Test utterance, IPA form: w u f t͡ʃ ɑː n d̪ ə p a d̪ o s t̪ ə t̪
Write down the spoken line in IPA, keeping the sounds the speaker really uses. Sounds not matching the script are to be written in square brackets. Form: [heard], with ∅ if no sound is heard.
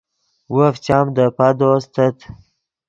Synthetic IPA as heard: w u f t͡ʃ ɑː [m] d̪ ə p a d̪ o s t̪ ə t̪